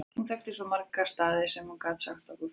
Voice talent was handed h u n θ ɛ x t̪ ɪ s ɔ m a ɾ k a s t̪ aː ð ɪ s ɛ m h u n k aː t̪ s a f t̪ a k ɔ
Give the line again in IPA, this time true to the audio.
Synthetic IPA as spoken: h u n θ ɛ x t̪ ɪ s ɔ m a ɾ k a s t̪ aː ð ɪ s ɛ m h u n k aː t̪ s a x t̪ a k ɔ